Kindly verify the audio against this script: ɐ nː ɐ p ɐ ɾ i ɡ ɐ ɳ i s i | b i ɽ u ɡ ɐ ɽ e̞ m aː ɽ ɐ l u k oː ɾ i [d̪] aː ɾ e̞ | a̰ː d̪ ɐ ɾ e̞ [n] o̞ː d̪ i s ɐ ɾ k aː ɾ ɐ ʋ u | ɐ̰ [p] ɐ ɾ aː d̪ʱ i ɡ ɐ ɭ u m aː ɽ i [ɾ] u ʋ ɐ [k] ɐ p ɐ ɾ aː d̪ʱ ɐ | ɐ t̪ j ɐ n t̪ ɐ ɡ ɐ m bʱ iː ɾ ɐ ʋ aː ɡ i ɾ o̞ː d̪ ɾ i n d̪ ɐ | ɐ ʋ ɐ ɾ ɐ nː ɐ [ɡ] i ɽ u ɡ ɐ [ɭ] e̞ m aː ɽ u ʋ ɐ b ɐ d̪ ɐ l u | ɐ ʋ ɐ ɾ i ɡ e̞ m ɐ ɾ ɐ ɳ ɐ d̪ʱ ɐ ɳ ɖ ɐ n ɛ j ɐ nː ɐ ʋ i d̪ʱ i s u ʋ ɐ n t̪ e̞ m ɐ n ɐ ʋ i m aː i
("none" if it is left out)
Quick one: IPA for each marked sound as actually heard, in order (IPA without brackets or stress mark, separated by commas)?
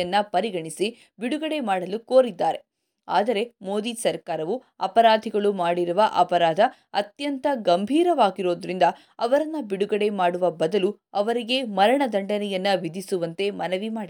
d̪ː, m, p, ɾ, ʔ, b, ɽ